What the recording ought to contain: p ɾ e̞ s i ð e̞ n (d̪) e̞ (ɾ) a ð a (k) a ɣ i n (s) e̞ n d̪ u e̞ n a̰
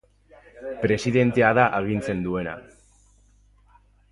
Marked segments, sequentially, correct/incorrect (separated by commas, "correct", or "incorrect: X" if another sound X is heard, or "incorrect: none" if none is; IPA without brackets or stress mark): incorrect: t̪, incorrect: none, incorrect: ʔ, incorrect: t͡s